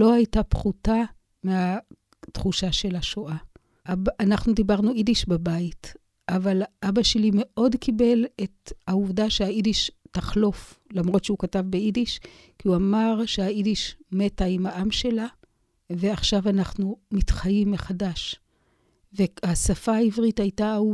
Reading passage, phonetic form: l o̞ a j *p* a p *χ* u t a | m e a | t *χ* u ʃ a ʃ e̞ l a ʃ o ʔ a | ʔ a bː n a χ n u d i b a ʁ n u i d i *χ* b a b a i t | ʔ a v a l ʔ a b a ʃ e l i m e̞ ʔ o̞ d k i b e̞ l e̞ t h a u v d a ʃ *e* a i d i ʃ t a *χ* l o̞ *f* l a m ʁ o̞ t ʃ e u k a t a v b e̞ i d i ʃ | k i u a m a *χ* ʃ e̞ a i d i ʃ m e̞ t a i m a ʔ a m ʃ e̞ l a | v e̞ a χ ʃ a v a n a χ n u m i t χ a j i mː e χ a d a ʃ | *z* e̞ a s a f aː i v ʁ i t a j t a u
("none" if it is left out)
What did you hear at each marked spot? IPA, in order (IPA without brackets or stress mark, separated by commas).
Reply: t, χ, χ, ʃ, e, χ, f, ʁ, v